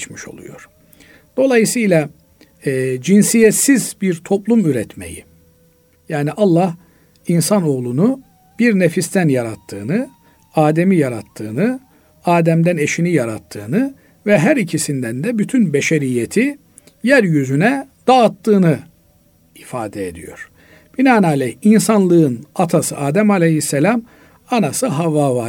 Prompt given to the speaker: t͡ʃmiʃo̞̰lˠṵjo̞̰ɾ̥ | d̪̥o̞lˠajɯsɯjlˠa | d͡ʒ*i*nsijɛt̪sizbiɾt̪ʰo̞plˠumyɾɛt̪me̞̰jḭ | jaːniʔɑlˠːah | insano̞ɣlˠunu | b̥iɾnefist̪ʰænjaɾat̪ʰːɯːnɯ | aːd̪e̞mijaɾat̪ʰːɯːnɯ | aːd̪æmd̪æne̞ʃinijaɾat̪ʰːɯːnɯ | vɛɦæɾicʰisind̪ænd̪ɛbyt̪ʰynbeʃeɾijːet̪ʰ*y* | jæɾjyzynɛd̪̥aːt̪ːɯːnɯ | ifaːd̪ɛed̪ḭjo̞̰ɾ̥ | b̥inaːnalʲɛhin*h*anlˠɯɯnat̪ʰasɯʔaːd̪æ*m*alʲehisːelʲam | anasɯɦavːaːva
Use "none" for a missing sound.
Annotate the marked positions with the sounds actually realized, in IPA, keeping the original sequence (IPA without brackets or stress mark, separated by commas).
i, i, s, m